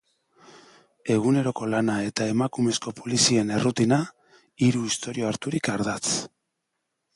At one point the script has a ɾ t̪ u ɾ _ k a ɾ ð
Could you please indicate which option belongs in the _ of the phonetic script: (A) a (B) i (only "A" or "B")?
B